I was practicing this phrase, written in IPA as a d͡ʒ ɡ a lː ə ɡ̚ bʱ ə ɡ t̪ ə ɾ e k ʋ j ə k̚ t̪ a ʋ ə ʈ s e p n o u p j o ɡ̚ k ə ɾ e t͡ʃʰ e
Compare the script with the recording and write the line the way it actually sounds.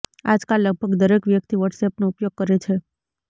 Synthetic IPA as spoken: a d͡ʒ k a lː ə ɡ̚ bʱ ə ɡ d̪ ə ɾ e k ʋ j ə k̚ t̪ i ʋ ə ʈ s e p n o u p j o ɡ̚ k ə ɾ e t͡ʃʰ e